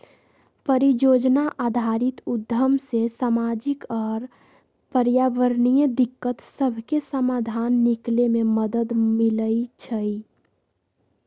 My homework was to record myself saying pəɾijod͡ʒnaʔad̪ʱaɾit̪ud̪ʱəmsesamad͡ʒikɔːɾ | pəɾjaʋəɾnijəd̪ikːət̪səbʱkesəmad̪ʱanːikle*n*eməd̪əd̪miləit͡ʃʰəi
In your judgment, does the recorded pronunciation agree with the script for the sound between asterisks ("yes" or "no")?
no